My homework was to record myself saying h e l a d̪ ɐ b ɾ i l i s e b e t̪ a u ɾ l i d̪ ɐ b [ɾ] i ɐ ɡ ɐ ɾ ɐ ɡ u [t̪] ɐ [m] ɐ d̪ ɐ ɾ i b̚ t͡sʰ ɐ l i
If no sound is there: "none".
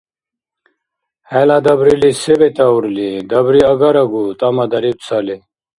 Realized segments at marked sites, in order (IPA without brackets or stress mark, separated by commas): ɾ, t̪, m